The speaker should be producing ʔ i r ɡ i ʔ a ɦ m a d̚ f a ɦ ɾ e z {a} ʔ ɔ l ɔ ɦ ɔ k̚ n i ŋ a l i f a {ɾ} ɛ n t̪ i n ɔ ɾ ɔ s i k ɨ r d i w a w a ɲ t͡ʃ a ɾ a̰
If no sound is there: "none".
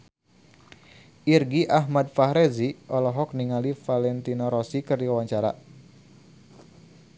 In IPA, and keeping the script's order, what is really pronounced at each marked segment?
i, l

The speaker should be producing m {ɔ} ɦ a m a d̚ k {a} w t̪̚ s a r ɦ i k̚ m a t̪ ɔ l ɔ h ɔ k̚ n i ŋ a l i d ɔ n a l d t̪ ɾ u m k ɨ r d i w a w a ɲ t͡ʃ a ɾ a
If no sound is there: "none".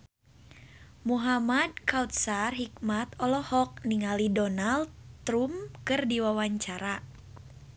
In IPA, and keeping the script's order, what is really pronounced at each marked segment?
u, a

